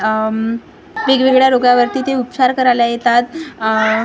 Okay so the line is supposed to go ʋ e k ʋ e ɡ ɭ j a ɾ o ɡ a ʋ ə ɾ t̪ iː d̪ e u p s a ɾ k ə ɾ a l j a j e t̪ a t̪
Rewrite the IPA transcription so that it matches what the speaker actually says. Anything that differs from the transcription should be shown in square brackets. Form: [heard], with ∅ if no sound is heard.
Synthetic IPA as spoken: ʋ e [ɡ] ʋ e ɡ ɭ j a ɾ o ɡ a ʋ ə ɾ t̪ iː [t̪] e u p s a ɾ k ə ɾ a l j a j e t̪ a t̪